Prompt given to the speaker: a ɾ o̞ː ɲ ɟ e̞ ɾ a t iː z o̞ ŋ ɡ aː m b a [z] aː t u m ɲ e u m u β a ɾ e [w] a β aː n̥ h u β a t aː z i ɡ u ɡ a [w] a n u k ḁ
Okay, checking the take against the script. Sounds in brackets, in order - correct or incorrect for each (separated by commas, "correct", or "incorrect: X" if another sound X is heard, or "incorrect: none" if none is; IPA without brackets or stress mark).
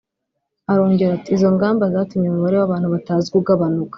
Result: correct, correct, incorrect: β